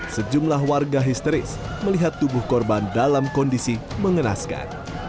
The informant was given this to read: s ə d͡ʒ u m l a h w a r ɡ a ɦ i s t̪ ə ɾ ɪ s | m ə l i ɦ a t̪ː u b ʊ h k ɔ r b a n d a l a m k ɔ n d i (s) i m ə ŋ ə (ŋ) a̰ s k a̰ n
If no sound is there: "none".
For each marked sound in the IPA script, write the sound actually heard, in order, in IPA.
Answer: s, n

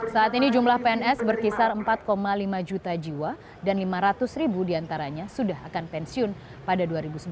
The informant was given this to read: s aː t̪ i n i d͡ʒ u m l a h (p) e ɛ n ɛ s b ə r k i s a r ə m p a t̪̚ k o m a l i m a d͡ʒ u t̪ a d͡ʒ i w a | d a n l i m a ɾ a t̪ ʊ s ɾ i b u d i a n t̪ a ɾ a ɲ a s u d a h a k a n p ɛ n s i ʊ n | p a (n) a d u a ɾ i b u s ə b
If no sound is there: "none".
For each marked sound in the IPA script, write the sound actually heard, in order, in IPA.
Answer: p, d

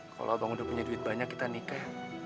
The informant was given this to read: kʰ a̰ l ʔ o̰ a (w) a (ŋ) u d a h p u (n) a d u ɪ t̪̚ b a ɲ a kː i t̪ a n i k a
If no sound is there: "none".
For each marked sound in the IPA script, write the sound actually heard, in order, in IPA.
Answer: b, ŋ, ɲ

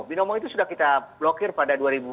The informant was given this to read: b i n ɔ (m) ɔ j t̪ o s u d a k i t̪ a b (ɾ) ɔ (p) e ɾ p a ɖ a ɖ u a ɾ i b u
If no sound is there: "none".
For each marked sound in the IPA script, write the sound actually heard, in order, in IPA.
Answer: m, l, k

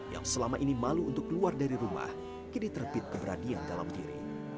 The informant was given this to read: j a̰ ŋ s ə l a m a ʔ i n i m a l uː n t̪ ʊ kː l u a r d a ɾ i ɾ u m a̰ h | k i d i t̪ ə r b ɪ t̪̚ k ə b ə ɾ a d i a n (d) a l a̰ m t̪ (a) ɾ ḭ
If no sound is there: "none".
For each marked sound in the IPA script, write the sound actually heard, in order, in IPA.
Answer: d, i

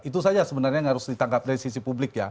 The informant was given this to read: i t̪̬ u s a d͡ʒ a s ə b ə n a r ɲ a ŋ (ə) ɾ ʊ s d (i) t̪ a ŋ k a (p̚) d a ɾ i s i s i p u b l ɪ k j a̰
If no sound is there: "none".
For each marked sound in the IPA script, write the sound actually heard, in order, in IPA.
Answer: a, i, p̚

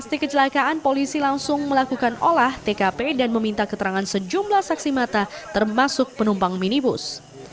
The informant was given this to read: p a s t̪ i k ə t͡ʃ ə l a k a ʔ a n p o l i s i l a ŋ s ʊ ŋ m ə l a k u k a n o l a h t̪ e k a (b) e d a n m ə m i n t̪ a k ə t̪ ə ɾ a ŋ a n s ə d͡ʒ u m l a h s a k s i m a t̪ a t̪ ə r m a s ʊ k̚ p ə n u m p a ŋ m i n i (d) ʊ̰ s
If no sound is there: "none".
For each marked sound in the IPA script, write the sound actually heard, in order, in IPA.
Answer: p, b

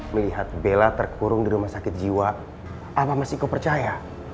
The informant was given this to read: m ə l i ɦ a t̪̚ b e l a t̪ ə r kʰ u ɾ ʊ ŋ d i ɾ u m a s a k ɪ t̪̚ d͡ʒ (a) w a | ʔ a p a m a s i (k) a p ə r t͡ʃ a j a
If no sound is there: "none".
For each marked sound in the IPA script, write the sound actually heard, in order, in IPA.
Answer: i, k

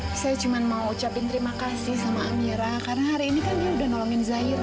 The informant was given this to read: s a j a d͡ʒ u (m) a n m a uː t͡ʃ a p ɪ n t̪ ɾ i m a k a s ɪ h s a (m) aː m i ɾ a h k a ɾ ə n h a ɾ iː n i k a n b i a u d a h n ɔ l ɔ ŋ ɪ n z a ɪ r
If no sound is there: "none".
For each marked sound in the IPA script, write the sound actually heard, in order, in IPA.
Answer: m, m

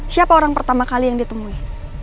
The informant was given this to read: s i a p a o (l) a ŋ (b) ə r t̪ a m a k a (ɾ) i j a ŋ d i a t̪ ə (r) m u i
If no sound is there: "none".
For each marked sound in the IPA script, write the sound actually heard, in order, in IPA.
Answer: ɾ, p, l, none

